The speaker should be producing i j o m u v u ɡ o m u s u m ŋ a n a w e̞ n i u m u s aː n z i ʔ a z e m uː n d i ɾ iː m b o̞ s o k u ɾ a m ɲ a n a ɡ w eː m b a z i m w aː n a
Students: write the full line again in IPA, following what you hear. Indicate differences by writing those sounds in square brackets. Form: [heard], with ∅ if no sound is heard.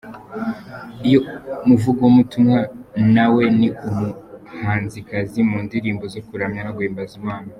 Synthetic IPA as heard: i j o m u v u ɡ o m u [t] u m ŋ a n a w e̞ n i u m u [h] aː n z i [k] a z [i] m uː n d i ɾ iː m b o̞ [z] o k u ɾ a m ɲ a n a ɡ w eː m b a z i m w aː n a